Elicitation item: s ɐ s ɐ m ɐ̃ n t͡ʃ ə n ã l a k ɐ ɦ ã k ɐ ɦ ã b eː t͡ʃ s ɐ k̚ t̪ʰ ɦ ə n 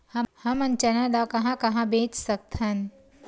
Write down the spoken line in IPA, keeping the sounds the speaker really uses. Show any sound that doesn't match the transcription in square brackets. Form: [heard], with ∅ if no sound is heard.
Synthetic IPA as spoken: [h] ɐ [h] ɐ m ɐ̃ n t͡ʃ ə n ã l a k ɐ ɦ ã k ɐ ɦ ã b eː t͡ʃ s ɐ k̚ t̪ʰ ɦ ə n